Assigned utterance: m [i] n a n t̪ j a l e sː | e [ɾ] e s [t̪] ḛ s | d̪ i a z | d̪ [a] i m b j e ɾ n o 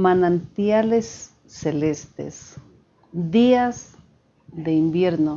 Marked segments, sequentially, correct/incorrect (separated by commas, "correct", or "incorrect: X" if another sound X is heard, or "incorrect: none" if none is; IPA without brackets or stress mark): incorrect: a, incorrect: l, correct, incorrect: e